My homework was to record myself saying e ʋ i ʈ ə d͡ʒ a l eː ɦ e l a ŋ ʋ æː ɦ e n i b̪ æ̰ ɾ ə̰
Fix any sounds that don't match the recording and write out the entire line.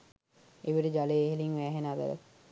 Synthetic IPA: e ʋ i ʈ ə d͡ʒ a l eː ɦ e l i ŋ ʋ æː ɦ e n a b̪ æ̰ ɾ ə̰